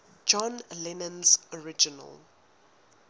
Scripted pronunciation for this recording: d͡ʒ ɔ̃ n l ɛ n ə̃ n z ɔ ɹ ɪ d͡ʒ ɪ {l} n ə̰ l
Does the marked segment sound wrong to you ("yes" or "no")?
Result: yes